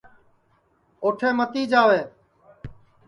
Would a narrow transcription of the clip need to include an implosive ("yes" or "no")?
no